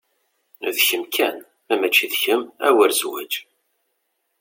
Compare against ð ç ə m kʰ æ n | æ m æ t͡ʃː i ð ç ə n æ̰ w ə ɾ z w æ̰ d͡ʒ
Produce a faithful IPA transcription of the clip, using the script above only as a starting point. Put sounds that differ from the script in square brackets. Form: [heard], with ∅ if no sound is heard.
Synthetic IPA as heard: ð ç ə m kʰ æ n | æ m æ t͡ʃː i ð ç ə [m] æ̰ w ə ɾ z w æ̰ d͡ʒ